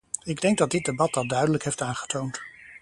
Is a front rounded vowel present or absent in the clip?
present